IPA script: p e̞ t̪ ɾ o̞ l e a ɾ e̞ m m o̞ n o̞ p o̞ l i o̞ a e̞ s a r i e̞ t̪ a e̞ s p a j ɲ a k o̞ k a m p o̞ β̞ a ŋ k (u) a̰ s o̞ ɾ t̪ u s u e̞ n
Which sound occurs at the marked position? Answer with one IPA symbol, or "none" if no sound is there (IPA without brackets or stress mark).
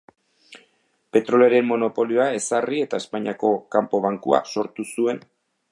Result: u